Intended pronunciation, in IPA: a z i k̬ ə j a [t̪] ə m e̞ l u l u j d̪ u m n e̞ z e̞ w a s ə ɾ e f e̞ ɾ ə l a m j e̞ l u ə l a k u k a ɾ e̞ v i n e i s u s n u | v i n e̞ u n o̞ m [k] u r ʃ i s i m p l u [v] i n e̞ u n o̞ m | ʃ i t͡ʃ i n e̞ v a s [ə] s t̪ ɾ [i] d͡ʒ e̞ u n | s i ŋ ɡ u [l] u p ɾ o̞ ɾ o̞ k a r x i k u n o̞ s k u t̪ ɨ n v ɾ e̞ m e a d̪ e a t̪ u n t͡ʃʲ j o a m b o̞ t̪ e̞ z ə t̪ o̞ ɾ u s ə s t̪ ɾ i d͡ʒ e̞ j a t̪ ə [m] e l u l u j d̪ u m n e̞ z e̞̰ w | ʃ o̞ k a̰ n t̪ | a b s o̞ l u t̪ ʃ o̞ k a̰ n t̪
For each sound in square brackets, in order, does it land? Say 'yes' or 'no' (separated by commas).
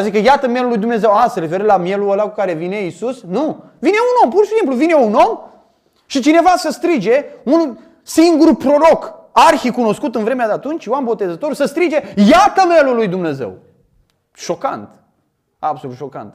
yes, no, yes, yes, yes, no, yes